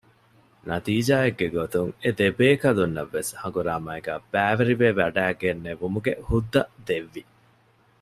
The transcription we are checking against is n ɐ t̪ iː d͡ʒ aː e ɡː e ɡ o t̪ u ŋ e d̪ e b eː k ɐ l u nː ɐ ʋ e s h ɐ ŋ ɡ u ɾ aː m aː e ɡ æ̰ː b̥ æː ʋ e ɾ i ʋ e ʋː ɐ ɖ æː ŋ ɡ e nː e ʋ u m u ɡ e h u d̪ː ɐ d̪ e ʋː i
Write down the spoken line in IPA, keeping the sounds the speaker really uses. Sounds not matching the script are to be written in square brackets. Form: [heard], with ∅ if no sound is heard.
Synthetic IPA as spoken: n ɐ t̪ iː d͡ʒ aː e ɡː e ɡ o t̪ u ŋ e d̪ e b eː k ɐ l u nː ɐ [ʋː] e s h ɐ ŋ ɡ u ɾ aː m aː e ɡ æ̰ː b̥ æː ʋ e ɾ i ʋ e [ʋ] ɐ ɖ æː [∅] ɡ e nː e ʋ u m u ɡ e h u d̪ː ɐ d̪ e ʋː i